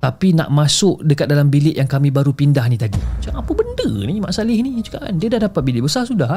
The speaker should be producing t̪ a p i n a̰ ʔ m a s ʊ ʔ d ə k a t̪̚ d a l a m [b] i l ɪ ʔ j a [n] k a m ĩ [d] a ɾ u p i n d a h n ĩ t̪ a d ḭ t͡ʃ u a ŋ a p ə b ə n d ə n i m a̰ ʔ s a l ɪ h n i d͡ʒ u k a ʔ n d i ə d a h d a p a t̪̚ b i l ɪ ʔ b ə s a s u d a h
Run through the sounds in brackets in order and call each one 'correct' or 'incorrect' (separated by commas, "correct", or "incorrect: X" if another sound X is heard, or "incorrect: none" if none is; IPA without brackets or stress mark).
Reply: correct, incorrect: ŋ, incorrect: b